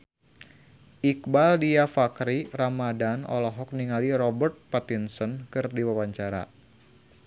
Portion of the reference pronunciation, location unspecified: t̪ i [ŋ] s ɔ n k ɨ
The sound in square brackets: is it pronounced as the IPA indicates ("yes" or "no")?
no